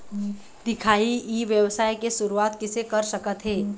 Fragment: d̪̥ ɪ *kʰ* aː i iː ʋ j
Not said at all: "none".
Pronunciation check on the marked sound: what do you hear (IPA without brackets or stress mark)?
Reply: kʰ